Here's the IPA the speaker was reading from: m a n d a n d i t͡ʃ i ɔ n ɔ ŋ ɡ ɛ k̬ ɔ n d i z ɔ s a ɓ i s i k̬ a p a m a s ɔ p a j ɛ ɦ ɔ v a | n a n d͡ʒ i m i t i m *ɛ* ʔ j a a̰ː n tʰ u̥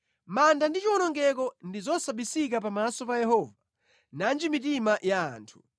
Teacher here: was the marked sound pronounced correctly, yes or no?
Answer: no